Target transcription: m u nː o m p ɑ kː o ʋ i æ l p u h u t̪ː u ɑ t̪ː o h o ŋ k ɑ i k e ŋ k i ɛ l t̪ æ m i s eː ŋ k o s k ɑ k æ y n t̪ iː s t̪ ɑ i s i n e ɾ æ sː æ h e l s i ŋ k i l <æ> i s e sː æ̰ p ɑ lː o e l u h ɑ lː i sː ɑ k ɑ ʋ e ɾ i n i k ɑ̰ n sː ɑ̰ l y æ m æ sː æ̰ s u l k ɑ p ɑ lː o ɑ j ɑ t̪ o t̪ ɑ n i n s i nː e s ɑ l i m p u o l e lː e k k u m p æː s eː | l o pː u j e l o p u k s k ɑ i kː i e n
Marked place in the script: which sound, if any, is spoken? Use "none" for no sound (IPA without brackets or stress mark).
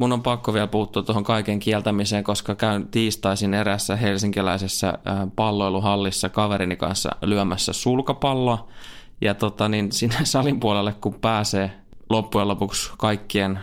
æ